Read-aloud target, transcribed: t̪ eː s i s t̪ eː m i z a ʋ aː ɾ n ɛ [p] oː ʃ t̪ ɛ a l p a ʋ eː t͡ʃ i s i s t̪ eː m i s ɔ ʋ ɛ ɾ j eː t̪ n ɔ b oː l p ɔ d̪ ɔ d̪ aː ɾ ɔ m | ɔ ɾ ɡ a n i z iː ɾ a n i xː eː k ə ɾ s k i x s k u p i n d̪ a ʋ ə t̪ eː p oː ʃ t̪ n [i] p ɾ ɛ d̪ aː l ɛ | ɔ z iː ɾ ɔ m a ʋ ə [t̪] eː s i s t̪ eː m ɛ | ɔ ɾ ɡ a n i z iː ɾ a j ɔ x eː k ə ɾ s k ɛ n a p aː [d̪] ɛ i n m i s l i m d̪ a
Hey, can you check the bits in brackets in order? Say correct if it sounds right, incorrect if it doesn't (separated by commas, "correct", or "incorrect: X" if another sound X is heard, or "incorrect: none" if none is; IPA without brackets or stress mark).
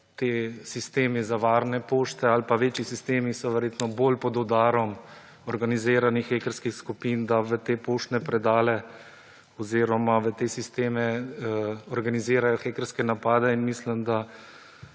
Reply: correct, incorrect: ɛ, correct, correct